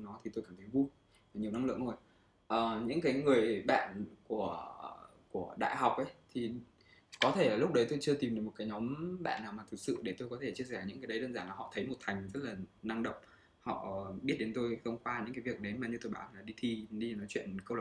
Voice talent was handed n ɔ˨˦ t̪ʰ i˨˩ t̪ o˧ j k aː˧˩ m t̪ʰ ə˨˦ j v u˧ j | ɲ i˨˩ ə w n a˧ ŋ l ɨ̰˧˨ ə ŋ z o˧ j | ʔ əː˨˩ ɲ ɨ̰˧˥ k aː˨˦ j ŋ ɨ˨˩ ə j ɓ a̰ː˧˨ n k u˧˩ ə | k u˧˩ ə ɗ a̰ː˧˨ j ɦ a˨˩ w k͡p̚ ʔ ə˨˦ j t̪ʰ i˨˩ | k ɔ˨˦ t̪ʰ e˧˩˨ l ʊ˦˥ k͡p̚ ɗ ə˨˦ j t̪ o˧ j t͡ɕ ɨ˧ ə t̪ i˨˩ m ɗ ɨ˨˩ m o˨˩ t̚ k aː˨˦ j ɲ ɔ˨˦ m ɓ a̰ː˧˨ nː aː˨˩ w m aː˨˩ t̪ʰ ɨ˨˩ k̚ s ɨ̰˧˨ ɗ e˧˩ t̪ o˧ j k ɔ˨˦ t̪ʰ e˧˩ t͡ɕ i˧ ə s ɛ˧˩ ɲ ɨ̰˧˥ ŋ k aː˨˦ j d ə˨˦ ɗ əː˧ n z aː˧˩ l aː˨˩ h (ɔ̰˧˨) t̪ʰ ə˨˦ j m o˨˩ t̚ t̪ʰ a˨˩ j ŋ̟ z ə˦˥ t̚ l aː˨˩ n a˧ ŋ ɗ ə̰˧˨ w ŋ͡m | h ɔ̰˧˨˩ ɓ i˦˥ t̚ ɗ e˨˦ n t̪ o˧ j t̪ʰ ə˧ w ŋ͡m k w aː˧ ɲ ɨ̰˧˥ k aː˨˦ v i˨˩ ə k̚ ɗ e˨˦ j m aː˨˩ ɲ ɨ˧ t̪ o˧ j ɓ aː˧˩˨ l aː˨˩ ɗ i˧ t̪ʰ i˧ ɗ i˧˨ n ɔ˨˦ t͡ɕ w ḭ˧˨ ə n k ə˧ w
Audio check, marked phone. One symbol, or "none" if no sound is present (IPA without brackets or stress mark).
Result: ɔ̰˧˨